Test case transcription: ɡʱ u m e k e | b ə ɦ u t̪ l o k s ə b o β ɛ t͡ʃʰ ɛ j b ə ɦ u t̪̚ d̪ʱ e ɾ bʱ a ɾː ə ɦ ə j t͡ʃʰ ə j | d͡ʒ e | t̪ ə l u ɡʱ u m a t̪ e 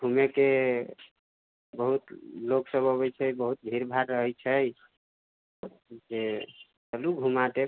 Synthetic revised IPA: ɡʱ u m e k e | b ə ɦ u t̪ l o k s ə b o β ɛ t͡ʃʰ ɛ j b ə ɦ u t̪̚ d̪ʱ i ɾ bʱ a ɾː ə ɦ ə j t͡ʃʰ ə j | d͡ʒ e | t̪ ə l u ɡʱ u m a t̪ e